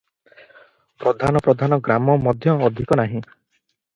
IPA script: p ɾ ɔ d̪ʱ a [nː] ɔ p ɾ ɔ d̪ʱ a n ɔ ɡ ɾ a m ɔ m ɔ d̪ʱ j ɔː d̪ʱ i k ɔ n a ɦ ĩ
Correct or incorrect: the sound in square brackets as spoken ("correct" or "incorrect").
incorrect